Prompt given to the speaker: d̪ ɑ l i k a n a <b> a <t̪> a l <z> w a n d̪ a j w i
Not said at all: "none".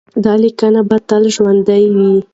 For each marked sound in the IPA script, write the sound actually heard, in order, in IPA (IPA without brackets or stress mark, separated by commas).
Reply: b, t̪, ʒ